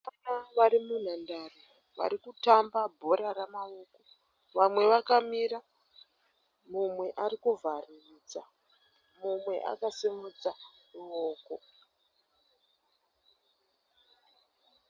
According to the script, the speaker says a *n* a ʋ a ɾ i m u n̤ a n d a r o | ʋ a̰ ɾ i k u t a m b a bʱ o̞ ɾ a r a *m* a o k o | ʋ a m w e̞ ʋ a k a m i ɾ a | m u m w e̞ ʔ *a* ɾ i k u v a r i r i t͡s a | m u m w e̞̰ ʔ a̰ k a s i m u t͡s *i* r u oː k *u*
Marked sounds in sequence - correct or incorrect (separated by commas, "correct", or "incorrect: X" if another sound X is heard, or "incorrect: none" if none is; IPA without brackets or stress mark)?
correct, correct, correct, incorrect: a, incorrect: o